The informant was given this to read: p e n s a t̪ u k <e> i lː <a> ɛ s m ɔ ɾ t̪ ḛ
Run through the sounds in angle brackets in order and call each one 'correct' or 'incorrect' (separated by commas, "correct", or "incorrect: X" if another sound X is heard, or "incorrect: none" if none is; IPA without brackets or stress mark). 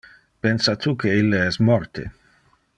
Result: correct, incorrect: e